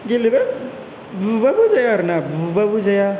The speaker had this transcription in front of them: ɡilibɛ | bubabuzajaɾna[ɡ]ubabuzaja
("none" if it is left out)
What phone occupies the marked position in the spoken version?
b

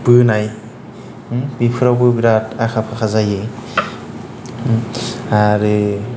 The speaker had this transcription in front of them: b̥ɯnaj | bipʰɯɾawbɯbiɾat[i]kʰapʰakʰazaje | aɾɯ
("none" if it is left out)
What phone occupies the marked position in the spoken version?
a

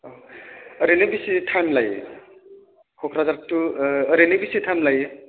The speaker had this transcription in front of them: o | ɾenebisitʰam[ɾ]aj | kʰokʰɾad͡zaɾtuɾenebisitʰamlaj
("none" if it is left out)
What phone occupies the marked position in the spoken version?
l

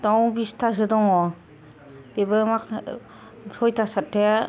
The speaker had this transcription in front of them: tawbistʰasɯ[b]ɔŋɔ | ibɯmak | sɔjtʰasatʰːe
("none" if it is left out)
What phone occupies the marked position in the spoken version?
d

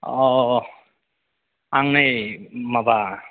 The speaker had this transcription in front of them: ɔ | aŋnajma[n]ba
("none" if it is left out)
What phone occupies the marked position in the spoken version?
none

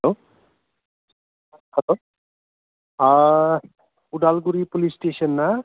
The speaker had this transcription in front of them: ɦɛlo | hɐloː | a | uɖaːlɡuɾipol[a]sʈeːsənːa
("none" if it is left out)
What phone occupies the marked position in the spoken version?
i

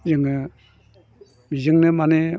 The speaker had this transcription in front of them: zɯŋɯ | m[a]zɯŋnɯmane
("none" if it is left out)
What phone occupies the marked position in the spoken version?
i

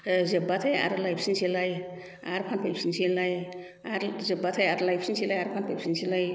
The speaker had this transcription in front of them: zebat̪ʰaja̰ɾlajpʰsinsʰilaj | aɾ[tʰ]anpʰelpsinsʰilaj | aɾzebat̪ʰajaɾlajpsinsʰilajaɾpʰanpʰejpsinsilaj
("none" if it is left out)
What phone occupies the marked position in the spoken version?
pʰ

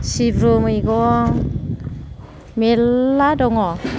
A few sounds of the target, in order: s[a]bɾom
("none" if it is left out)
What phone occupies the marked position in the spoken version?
i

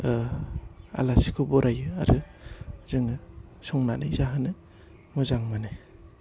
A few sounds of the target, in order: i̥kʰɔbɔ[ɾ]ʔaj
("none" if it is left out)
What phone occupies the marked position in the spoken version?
ɾ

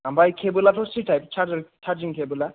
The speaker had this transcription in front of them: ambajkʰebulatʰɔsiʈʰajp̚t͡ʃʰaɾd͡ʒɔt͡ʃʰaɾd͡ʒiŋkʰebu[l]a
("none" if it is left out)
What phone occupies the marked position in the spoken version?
l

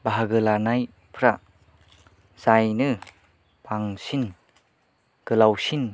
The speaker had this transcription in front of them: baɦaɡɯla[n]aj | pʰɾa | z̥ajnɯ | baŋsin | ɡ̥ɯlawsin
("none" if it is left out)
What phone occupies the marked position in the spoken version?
n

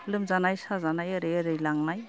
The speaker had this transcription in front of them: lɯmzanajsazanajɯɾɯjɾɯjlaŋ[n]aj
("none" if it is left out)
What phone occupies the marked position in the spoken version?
n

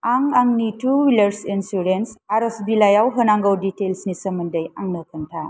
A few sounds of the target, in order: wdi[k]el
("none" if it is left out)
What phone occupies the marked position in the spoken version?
t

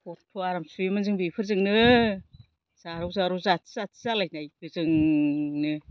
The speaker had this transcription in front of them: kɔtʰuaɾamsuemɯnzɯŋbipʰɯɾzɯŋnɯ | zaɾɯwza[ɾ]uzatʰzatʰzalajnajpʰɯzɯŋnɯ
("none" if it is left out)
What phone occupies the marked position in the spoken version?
ɾ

